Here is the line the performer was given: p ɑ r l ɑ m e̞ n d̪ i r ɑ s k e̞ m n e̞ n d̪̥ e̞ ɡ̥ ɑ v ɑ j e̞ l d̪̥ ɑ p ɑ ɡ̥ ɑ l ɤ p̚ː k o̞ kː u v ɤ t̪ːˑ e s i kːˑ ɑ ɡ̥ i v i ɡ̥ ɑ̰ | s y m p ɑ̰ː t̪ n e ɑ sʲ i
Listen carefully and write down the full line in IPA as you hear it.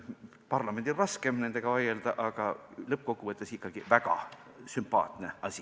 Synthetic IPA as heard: p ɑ r l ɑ m e̞ n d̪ i r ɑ s k e̞ m n e̞ n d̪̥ e̞ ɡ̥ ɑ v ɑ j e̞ l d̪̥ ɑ ʔ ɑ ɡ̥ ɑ l ɤ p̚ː k o̞ kː u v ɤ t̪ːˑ e s i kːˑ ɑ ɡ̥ i v æ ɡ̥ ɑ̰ | s y m p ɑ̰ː t̪ n e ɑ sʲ i